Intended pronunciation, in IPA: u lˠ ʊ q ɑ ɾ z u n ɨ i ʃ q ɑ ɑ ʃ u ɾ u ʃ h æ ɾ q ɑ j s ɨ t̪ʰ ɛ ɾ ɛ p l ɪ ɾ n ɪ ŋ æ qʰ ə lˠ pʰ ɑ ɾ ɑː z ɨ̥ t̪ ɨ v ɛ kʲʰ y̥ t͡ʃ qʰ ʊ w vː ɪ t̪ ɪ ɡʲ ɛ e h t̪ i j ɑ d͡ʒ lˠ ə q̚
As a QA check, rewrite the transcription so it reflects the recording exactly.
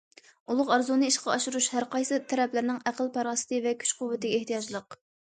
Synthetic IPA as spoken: u lˠ ʊ q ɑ ɾ z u n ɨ i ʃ q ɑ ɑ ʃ u ɾ u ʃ h æ ɾ q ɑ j s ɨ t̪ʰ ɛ ɾ ɛ p l ɪ ɾ n ɪ ŋ æ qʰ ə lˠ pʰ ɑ ɾ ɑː s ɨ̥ t̪ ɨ v ɛ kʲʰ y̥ t͡ʃ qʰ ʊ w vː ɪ t̪ ɪ ɡʲ ɛ e h t̪ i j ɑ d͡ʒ lˠ ə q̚